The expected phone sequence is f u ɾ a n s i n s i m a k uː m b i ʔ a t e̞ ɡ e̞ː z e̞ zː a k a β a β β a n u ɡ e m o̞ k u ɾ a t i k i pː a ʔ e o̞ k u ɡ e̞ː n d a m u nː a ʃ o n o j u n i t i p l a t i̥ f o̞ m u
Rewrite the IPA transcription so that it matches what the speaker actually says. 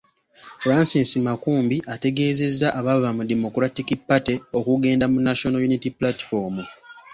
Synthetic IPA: f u ɾ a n s i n s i m a k uː m b i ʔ a t e̞ ɡ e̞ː z e̞ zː a ʔ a β a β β a m u d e m o̞ k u ɾ a t i k i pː a t e o̞ k u ɡ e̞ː n d a m u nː a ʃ o n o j u n i t i p l a t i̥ f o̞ m u

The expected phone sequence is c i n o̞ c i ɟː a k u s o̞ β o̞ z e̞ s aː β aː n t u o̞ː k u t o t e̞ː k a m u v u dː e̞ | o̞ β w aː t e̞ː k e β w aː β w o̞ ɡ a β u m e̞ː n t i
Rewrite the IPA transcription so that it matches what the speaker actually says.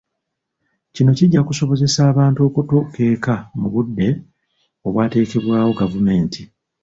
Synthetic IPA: c i n o̞ c i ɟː a k u s o̞ β o̞ z e̞ s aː β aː n t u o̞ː k u t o k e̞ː k a m u β u dː e̞ | o̞ β w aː t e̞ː k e β w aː w o̞ ɡ a v u m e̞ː n t i

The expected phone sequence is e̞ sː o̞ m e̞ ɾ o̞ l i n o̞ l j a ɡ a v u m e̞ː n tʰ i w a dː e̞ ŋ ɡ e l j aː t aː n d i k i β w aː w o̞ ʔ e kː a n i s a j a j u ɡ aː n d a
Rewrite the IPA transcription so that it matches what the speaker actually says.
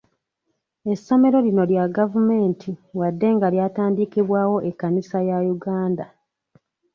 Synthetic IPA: e̞ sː o̞ m e̞ ɾ o̞ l i n o̞ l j a ɡ a v u m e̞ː n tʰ i w a dː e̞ ŋ ɡ a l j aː t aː n d i k i β w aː w o̞ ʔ e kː a n i s a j a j u ɡ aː n d a

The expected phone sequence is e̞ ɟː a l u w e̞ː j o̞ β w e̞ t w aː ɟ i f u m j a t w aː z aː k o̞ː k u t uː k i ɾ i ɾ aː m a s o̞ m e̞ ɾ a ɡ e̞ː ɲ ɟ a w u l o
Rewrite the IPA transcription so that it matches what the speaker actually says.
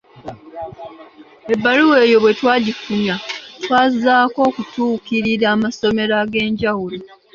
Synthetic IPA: e̞ bː a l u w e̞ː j o̞ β w e̞ t w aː ɟ i f u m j a t w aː z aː k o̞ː k u t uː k i ɾ i ɾ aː m a s o̞ m e̞ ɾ a ɡ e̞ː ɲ ɟ a w u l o

